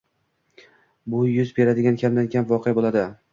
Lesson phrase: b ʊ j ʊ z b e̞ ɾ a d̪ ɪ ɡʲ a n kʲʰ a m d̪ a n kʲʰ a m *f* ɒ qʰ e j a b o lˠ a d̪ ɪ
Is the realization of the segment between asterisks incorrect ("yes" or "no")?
yes